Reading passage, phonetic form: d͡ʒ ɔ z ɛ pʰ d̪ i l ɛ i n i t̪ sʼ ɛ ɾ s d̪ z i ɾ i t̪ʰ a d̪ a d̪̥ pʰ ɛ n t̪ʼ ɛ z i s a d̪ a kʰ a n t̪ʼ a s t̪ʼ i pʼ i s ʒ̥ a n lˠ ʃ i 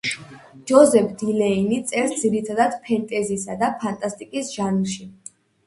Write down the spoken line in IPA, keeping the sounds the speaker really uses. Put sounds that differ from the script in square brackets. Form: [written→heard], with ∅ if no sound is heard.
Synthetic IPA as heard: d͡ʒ ɔ z ɛ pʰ d̪ i l ɛ i n i t̪ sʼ ɛ ɾ s d̪ z i ɾ i t̪ʰ a d̪ a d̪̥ pʰ ɛ n t̪ʼ ɛ z i s a d̪ a [kʰ→pʰ] a n t̪ʼ a s t̪ʼ i [pʼ→kʼ] i s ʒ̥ a n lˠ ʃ i